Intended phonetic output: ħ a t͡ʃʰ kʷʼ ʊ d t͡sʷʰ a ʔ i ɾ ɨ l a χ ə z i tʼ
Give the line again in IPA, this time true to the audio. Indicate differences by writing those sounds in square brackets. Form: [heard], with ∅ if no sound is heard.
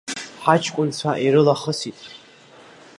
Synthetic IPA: ħ a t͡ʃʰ kʷʼ ʊ [n] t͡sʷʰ a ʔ i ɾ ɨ l a χ ə [s] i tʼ